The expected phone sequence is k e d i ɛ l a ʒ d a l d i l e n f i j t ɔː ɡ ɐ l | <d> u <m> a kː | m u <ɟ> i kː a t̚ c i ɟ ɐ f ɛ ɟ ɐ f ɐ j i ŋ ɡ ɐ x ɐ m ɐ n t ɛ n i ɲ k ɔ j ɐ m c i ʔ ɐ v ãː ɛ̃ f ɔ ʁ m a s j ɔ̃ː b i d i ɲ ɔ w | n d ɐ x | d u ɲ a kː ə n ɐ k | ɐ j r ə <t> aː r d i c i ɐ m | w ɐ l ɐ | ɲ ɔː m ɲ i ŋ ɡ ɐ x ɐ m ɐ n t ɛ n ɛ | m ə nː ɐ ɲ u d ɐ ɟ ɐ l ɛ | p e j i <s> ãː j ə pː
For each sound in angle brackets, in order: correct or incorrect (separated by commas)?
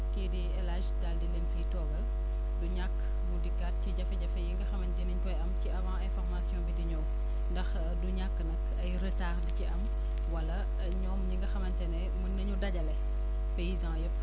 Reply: correct, incorrect, incorrect, correct, incorrect